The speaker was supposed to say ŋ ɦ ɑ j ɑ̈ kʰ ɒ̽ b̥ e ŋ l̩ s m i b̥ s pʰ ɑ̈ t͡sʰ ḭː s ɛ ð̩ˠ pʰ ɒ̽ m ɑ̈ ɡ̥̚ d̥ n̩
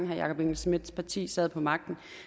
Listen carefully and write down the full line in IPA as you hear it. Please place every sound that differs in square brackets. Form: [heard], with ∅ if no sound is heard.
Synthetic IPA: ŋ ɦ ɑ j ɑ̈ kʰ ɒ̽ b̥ e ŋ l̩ s m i [d̥] s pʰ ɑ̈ t͡sʰ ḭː s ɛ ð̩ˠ pʰ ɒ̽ m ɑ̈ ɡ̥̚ d̥ n̩